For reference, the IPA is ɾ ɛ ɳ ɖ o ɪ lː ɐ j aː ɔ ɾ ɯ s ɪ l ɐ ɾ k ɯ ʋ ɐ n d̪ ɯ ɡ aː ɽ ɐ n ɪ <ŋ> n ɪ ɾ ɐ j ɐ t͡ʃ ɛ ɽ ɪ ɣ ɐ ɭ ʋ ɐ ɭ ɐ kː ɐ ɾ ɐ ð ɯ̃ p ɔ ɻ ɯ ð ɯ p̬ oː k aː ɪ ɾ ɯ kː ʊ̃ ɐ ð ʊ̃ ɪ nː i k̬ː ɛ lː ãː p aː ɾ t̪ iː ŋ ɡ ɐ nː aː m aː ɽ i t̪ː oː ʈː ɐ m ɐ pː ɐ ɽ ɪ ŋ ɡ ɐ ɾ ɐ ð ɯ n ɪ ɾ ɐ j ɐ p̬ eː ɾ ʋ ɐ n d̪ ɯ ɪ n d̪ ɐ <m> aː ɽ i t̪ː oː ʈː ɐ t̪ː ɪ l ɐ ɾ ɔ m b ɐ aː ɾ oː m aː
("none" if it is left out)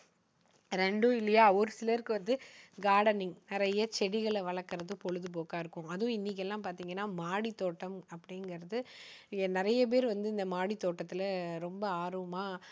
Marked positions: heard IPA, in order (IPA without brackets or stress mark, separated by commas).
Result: ŋ, m